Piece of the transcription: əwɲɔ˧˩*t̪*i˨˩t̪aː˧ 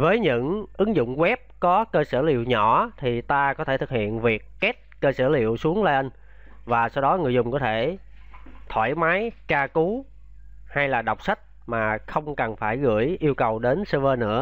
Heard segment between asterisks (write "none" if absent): t̪ʰ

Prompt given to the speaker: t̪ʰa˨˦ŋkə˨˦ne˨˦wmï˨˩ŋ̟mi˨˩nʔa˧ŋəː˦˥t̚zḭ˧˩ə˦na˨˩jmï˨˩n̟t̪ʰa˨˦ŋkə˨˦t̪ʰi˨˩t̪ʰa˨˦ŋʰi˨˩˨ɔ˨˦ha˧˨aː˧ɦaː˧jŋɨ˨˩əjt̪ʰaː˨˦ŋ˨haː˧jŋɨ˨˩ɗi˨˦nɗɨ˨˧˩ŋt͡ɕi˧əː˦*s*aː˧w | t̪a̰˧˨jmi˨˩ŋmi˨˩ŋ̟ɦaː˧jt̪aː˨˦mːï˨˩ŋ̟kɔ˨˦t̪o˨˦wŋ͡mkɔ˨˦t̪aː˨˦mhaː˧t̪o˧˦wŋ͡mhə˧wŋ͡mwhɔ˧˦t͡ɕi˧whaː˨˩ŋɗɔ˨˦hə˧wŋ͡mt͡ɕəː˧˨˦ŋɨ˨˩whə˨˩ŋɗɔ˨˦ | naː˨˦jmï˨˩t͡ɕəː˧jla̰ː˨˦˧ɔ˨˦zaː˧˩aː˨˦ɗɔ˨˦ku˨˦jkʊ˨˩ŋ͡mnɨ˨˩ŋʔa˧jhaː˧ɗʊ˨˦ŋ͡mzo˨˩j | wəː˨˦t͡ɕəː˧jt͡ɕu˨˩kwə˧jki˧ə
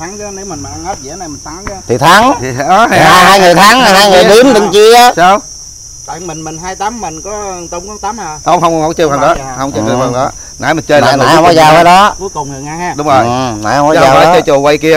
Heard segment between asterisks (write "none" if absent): s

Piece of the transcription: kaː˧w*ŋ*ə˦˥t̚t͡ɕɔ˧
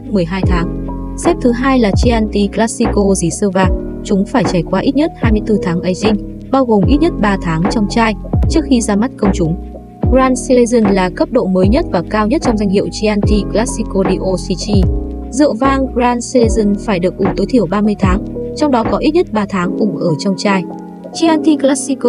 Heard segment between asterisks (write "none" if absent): ɲ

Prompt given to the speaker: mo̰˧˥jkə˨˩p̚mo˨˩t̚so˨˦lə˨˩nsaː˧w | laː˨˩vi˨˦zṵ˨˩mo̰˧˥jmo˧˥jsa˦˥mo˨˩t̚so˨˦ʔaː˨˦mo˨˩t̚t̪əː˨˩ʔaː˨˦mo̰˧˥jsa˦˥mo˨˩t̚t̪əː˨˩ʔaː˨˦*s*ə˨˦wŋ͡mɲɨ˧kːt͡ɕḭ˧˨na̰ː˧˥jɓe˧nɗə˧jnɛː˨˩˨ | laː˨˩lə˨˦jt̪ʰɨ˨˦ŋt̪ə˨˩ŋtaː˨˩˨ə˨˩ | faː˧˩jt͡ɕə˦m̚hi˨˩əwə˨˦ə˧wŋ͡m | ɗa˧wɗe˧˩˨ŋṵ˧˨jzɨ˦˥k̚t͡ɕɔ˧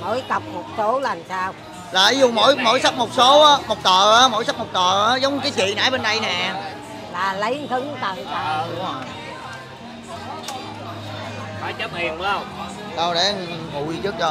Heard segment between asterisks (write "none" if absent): z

